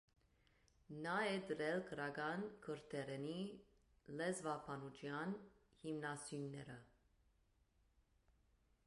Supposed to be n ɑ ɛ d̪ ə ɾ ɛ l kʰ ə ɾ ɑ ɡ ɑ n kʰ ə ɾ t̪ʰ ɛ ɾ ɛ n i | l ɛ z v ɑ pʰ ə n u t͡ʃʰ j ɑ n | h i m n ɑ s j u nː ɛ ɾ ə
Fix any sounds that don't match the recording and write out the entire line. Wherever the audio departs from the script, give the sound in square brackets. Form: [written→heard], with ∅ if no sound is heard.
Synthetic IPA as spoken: n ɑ ɛ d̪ ə ɾ ɛ l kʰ ə ɾ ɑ ɡ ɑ n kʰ ə ɾ t̪ʰ ɛ ɾ ɛ n i | l ɛ z v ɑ pʰ [ə→ɑ] n u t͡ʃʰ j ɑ n | h i m n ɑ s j u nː ɛ ɾ ə